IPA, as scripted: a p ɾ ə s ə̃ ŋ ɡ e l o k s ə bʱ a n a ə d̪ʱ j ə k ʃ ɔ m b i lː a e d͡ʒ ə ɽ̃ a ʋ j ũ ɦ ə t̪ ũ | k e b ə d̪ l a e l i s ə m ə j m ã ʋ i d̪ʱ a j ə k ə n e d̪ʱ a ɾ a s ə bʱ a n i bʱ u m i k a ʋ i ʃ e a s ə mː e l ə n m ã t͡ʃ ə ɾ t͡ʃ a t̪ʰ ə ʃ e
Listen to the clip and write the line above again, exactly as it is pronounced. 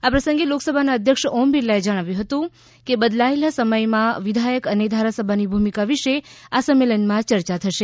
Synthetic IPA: a p ɾ ə s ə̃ ŋ ɡ e l o k s ə bʱ a n a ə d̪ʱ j ə k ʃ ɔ m b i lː a e d͡ʒ ə ɽ̃ a ʋ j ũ ɦ ə t̪ ũ | k e b ə d̪ l a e l a s ə m ə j m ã ʋ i d̪ʱ a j ə k ə n e d̪ʱ a ɾ a s ə bʱ a n i bʱ u m i k a ʋ i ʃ e a s ə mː e l ə n m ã t͡ʃ ə ɾ t͡ʃ a t̪ʰ ə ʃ e